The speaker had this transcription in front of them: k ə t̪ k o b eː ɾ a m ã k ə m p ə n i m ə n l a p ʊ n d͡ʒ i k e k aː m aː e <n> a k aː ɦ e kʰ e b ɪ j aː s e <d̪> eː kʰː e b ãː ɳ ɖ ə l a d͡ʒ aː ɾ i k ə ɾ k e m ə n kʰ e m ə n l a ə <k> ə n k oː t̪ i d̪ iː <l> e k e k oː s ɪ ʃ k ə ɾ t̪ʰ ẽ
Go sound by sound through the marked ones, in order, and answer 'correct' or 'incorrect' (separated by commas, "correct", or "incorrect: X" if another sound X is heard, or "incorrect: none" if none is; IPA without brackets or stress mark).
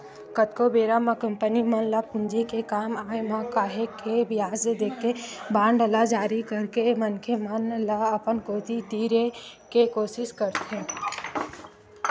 incorrect: m, correct, incorrect: p, incorrect: ɾ